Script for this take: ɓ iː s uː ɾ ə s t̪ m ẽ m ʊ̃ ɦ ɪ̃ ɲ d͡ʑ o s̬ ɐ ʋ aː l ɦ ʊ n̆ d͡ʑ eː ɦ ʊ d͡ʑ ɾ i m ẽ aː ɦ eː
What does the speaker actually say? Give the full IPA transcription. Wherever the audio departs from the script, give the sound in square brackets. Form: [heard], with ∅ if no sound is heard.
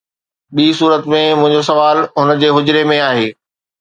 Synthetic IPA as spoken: ɓ iː s uː ɾ ə [∅] t̪ m ẽ m ʊ̃ ɦ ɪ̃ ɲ d͡ʑ o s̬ ɐ ʋ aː l ɦ ʊ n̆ d͡ʑ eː ɦ ʊ d͡ʑ ɾ [e] m ẽ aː ɦ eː